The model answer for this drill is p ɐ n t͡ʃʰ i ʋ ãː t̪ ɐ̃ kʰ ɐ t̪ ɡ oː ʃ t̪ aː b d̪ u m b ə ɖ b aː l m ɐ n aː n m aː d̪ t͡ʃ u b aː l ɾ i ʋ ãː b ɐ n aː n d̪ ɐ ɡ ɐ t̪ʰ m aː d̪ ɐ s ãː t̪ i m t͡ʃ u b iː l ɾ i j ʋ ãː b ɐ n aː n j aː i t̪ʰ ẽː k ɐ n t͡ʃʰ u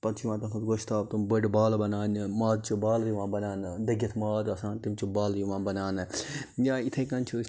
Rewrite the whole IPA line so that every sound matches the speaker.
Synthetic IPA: p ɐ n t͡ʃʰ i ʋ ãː t̪ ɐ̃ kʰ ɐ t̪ ɡ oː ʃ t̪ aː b t̪ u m b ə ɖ b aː l b ɐ n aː n m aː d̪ t͡ʃ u b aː l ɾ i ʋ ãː b ɐ n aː n d̪ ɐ ɡ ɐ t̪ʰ m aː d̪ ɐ s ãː t̪ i m t͡ʃ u b aː l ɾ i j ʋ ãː b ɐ n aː n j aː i t̪ʰ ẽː k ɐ n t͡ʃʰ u